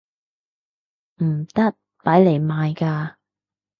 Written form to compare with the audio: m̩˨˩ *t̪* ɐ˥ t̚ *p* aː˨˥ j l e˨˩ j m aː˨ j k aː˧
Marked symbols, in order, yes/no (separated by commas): yes, yes